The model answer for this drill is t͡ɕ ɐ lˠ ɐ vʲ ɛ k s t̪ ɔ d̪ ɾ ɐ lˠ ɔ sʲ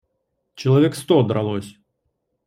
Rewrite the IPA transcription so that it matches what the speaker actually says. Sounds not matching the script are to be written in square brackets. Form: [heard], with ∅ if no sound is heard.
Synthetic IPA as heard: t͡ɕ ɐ lˠ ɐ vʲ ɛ k s t̪ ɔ d̪ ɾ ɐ lˠ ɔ sʲ